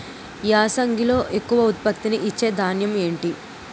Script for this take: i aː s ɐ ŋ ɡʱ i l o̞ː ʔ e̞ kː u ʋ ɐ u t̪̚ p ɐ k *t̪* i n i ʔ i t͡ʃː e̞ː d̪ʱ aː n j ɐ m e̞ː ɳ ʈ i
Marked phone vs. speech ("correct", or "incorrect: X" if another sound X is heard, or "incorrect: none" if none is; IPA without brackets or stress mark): correct